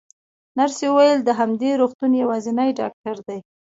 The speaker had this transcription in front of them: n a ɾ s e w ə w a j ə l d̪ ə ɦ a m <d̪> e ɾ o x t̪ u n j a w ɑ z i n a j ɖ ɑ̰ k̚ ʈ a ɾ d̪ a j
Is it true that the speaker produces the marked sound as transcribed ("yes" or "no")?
yes